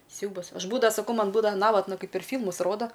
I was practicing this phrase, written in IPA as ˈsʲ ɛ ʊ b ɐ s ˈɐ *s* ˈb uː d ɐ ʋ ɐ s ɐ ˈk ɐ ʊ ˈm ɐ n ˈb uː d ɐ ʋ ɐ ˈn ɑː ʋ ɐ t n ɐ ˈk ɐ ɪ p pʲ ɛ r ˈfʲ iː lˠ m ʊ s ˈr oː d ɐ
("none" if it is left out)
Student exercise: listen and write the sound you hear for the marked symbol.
ʃ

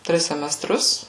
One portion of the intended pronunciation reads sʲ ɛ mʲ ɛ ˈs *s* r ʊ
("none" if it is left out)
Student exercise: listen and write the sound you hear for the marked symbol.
t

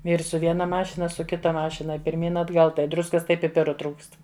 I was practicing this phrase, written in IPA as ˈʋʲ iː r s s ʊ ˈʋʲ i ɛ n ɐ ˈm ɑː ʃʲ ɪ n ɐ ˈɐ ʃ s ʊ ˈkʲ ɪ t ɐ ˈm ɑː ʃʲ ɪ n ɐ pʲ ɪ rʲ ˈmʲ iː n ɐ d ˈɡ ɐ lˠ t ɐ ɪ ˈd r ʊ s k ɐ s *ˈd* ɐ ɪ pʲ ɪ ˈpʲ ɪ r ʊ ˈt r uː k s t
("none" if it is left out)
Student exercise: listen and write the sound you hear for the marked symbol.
t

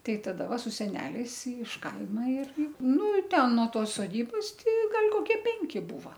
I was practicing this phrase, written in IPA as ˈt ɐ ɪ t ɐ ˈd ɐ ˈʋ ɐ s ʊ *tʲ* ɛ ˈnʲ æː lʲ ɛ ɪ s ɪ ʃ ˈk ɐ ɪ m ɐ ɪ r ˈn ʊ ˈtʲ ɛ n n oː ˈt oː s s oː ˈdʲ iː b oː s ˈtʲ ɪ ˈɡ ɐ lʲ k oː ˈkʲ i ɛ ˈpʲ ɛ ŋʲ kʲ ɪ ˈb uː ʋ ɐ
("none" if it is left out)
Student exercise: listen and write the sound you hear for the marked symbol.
sʲ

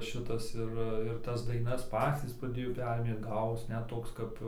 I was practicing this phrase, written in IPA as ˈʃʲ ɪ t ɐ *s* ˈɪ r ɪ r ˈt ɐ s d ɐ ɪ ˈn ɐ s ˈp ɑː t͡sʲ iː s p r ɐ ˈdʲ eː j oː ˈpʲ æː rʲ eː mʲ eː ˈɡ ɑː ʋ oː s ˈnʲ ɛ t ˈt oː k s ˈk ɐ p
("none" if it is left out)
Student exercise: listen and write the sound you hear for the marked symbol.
s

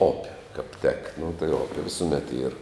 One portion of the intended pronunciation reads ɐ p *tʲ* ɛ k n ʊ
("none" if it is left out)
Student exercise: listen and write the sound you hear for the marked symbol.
tʲ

